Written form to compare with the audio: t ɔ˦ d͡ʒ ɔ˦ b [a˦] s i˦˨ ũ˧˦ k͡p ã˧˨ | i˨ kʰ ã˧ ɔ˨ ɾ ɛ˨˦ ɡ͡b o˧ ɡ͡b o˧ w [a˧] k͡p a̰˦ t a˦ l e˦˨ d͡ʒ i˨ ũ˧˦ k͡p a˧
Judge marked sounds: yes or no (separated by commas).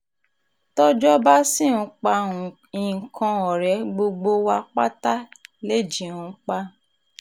yes, yes